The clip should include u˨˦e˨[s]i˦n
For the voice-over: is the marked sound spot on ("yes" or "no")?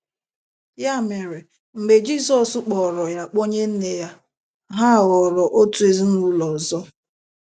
no